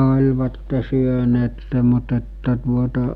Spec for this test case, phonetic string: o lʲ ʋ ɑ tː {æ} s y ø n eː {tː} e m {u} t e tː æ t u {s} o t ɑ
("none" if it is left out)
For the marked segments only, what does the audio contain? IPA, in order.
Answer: e, tː, u, none

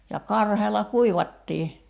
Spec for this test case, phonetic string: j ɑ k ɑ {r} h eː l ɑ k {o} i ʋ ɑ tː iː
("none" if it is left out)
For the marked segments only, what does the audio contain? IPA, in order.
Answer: r, u

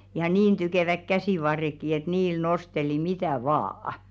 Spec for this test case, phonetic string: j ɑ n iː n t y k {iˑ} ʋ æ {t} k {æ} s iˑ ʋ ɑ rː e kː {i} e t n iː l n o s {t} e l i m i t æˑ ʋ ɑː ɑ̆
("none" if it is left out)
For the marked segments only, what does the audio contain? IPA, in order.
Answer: eˑ, k, æ, i, t

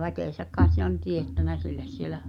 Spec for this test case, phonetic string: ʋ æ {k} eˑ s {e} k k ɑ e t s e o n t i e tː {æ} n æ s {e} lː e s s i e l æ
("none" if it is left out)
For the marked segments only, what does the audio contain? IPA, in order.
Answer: k, æ, æ, i

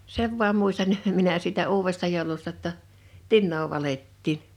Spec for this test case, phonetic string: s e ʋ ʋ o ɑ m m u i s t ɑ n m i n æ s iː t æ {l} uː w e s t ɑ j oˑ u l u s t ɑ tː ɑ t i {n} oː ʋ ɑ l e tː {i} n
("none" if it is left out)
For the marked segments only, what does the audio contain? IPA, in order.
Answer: none, nː, iː

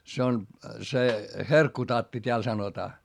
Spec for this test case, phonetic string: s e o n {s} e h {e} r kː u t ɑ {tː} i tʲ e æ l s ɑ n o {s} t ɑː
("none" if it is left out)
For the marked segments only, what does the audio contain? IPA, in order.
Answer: s, e, tː, none

